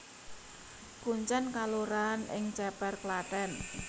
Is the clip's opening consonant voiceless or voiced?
voiceless